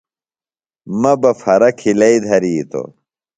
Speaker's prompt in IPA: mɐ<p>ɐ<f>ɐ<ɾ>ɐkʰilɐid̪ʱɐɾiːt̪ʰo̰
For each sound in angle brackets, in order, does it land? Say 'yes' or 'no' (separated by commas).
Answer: no, yes, yes